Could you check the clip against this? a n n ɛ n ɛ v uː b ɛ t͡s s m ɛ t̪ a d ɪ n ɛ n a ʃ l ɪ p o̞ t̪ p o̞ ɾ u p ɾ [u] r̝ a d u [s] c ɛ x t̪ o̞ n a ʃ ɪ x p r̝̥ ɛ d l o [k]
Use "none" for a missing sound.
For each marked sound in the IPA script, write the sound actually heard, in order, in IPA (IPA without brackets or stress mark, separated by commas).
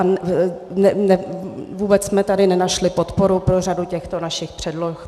o, none, x